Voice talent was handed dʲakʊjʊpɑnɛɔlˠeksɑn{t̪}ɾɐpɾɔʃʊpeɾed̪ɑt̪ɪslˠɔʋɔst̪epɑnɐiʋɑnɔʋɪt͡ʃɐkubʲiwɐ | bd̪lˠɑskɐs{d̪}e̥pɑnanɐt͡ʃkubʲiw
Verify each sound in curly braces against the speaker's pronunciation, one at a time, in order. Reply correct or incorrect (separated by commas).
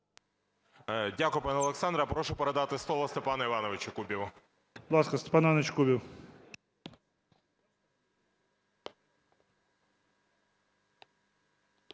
incorrect, incorrect